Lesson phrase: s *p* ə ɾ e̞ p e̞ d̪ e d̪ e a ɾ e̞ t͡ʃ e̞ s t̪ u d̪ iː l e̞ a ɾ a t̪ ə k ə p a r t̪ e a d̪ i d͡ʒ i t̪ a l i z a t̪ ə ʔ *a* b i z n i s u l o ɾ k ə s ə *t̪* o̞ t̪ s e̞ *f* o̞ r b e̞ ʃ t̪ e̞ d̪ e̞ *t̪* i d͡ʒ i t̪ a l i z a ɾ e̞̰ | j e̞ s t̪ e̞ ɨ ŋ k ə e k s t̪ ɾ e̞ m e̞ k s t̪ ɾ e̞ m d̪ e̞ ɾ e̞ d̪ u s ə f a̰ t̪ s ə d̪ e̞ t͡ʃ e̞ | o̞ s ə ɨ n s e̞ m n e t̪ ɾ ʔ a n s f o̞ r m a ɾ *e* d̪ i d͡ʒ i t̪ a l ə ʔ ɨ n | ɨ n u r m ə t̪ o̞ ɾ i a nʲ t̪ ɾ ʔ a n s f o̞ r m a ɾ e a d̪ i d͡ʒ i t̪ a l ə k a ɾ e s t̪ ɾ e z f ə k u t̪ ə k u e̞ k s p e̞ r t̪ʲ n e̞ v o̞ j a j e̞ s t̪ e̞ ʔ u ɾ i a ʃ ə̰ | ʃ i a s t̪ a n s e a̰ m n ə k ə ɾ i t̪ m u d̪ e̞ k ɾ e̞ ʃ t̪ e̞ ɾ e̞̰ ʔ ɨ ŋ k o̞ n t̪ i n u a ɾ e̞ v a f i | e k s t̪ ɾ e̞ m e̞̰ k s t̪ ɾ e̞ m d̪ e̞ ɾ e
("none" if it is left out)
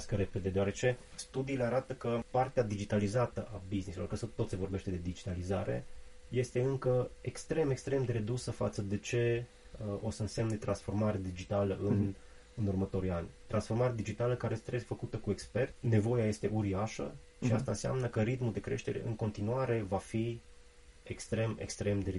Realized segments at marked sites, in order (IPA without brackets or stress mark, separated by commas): k, a, t̪, v, d̪, e